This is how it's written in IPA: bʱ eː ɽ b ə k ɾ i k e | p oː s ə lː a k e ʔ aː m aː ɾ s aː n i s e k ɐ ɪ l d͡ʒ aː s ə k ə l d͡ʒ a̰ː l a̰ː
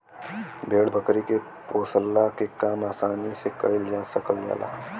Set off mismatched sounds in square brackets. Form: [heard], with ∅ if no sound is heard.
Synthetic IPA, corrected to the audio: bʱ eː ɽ b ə k ɾ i k e | p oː s ə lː a k e [k] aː m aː [∅] s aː n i s e k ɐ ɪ l d͡ʒ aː s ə k ə l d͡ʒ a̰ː l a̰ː